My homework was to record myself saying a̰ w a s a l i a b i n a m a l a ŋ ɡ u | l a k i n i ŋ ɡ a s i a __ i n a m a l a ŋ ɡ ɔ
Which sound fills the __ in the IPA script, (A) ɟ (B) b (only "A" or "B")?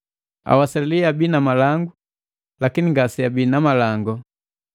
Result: B